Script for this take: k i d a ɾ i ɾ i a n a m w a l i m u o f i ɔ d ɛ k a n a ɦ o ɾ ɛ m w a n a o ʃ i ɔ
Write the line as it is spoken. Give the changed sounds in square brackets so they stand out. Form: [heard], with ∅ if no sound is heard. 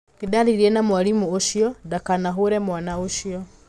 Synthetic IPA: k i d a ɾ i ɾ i [ɛ] n a m w a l i m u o [ʃ] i ɔ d [a] k a n a ɦ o ɾ ɛ m w a n a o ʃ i ɔ